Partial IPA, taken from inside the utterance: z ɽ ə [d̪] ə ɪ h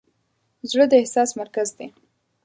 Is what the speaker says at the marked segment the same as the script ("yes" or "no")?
yes